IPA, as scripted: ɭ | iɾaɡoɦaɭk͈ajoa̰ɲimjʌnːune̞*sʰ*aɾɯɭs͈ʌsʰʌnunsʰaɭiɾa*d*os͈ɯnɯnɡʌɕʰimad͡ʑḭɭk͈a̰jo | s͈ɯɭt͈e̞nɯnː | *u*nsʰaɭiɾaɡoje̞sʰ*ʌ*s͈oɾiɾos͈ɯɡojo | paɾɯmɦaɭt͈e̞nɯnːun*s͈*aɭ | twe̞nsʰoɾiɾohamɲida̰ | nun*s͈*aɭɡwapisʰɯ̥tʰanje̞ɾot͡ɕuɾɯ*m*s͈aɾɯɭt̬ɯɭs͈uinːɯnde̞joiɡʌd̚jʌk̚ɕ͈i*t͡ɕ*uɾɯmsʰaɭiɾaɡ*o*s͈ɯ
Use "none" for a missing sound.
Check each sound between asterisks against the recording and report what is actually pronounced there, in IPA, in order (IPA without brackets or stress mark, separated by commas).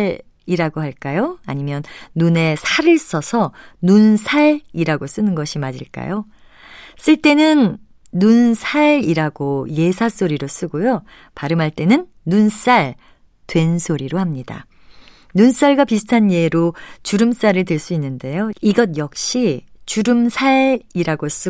sʰ, ɡ, u, a, s͈, s͈, m, t͡ɕ, o